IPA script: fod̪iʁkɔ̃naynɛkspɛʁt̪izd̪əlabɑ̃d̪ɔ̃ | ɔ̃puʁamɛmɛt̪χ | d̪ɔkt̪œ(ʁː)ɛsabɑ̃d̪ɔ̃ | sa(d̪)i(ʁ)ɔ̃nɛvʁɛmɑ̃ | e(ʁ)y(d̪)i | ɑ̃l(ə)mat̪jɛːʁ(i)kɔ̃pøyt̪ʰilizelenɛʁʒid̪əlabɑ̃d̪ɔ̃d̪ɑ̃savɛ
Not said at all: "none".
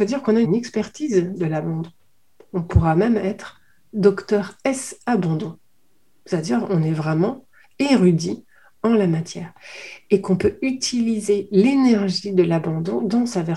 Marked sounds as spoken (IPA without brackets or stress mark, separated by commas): ʁ, d̪, ʁ, ʁ, d̪, a, e